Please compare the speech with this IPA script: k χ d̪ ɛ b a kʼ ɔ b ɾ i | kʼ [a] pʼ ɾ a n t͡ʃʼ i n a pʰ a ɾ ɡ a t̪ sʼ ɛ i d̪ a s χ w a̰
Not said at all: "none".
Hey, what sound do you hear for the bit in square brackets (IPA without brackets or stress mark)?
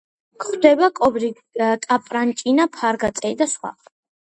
a